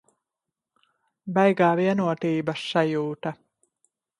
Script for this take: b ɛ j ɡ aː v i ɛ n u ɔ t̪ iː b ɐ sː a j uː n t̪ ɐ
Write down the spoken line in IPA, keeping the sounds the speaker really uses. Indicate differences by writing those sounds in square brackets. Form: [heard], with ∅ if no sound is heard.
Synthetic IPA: b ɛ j ɡ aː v i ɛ n u ɔ t̪ iː b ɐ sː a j uː [∅] t̪ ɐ